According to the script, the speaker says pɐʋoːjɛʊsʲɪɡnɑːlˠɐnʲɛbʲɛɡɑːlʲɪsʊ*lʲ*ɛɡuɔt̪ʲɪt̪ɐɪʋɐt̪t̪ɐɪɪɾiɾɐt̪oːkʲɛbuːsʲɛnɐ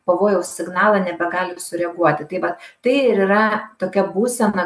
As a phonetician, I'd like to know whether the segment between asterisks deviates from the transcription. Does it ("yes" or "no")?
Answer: yes